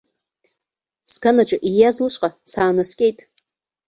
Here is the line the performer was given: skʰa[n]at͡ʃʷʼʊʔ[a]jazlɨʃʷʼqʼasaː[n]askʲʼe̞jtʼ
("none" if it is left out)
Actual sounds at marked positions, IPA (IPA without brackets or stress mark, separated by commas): n, i, n